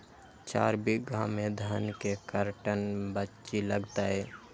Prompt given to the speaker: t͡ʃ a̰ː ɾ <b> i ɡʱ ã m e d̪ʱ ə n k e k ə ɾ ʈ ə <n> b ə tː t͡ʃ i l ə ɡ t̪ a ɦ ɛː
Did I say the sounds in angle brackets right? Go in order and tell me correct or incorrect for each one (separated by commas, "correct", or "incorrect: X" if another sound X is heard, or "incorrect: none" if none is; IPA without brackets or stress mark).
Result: correct, correct